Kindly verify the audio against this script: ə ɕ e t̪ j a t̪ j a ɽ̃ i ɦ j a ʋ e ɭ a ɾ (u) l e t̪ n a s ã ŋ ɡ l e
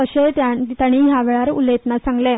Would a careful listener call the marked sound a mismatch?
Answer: no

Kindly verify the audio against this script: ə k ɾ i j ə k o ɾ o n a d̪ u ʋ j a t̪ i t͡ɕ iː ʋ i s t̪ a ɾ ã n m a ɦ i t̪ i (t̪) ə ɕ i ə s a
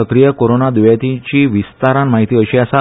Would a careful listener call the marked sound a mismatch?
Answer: yes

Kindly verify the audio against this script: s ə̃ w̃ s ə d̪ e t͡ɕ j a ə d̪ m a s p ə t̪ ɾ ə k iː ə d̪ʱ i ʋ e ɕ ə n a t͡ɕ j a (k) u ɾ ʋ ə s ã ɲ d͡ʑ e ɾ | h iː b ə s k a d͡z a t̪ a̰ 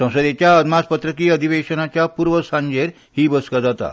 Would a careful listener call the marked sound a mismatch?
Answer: yes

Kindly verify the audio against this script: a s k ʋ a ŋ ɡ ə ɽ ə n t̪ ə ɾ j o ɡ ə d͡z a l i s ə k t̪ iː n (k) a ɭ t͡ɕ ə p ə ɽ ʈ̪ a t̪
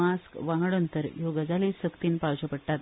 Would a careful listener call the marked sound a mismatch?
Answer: yes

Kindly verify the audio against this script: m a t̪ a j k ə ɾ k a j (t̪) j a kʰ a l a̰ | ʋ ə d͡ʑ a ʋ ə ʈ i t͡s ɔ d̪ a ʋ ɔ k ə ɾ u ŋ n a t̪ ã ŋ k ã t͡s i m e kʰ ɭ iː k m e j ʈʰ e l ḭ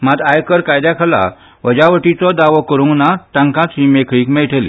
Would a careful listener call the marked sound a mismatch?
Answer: yes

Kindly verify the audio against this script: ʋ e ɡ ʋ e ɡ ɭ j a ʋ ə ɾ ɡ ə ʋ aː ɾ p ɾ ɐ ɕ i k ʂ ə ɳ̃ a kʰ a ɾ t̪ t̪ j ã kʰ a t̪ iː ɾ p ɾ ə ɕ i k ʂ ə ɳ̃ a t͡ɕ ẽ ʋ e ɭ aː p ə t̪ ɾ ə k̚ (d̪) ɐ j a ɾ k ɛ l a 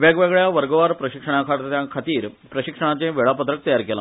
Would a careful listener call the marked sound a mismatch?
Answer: yes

